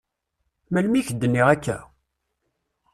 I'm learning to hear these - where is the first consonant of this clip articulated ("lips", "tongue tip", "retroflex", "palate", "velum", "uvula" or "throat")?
lips